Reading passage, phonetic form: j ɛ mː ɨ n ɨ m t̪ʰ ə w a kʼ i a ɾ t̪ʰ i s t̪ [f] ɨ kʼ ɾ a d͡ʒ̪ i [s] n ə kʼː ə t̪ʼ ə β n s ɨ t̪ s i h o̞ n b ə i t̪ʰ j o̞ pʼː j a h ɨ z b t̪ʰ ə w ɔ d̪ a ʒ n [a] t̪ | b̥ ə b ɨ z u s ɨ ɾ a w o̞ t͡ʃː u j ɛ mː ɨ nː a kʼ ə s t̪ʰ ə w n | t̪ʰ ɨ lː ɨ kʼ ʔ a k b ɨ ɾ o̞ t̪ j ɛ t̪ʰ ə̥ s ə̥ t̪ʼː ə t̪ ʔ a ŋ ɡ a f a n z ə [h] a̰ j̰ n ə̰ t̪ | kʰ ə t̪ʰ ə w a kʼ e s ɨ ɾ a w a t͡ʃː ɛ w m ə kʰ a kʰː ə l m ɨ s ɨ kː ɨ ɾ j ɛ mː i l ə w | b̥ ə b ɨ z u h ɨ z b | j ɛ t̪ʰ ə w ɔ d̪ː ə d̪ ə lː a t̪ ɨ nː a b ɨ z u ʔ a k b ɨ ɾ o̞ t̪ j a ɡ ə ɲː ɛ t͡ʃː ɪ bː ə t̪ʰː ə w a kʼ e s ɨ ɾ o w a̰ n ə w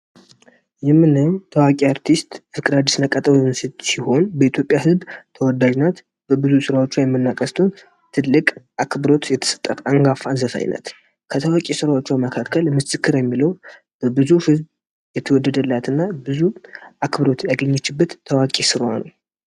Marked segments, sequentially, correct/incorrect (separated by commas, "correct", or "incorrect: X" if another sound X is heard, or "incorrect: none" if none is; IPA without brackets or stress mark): correct, correct, correct, incorrect: f